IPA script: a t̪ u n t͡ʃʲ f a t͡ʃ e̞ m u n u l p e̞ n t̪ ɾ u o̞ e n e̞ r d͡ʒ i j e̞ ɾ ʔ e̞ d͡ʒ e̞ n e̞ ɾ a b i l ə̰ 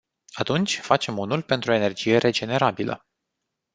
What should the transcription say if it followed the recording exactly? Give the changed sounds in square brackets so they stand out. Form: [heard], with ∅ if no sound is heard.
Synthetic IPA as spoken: a t̪ u n t͡ʃʲ f a t͡ʃ e̞ m u n u l p e̞ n t̪ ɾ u o̞ e n e̞ r d͡ʒ i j e̞ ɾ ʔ e̞ d͡ʒ e̞ n e̞ ɾ a b i l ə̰